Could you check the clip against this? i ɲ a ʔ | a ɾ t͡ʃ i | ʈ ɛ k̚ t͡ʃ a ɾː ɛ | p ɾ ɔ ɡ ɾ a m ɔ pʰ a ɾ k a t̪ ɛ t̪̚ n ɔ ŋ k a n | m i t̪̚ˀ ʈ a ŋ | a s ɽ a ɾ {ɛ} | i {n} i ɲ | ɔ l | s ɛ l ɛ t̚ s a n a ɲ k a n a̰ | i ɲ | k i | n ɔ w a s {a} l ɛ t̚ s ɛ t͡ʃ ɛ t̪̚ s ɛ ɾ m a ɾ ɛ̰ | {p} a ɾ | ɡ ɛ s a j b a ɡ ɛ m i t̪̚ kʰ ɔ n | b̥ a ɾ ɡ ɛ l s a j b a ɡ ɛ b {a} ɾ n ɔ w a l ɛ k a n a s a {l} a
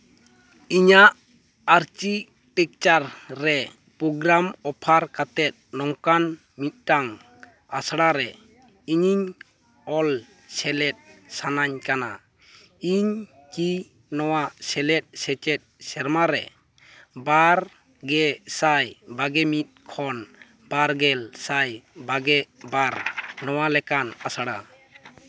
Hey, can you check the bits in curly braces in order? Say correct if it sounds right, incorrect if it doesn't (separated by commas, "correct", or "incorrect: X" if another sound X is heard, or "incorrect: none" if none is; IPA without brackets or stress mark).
correct, incorrect: ɲ, incorrect: ɛ, incorrect: b, correct, incorrect: ɽ